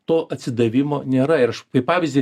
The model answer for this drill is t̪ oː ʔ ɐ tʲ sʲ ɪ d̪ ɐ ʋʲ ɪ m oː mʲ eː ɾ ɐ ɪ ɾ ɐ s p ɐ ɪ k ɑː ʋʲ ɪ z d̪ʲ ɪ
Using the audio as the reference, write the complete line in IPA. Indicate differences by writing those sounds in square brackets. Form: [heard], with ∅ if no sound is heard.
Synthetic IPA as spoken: t̪ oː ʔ ɐ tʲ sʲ ɪ d̪ ɐ ʋʲ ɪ m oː [nʲ] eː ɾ ɐ ɪ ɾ ɐ [ʃ] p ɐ ɪ [p] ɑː ʋʲ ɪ z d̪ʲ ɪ